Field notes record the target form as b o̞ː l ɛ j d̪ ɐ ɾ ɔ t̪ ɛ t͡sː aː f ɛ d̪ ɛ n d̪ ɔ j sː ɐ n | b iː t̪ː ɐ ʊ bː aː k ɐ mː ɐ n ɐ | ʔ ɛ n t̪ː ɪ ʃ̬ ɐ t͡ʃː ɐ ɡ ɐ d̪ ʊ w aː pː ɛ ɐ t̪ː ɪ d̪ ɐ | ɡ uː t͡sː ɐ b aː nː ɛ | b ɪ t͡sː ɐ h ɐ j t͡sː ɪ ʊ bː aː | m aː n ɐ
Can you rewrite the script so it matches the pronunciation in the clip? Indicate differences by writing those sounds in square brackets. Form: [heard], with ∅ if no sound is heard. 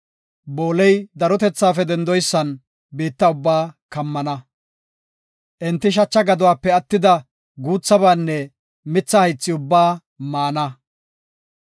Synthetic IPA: b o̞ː l ɛ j d̪ ɐ ɾ ɔ t̪ ɛ t͡sː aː f ɛ d̪ ɛ n d̪ ɔ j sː ɐ n | b iː t̪ː ɐ ʊ bː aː k ɐ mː ɐ n ɐ | ʔ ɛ n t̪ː ɪ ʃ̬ ɐ t͡ʃː ɐ ɡ ɐ d̪ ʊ w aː pː ɛ ɐ t̪ː ɪ d̪ ɐ | ɡ uː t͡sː ɐ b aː nː ɛ | [m] ɪ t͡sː ɐ h ɐ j t͡sː ɪ ʊ bː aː | m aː n ɐ